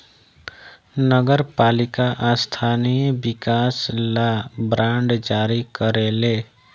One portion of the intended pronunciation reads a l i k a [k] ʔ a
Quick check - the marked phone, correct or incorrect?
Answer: incorrect